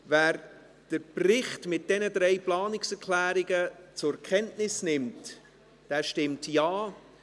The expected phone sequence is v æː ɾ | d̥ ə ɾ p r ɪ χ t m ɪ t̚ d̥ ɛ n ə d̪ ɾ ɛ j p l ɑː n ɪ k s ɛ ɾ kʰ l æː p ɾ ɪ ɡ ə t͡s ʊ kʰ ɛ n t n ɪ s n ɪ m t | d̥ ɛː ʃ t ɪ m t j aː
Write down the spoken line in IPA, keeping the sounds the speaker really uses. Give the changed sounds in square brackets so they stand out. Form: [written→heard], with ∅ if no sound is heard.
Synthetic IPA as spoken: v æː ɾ | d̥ ə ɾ p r ɪ χ t m ɪ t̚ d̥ ɛ n ə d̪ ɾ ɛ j p l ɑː n ɪ k s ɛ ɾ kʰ l æː [p→∅] ɾ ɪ ɡ ə t͡s ʊ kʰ ɛ n t n ɪ s n ɪ m t | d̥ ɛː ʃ t ɪ m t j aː